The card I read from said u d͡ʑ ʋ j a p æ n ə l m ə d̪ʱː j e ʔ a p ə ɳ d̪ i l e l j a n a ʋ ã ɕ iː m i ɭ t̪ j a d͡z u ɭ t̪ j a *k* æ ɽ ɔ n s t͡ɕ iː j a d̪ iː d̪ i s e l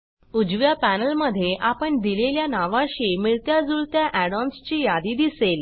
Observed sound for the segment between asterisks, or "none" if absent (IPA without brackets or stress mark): ʔ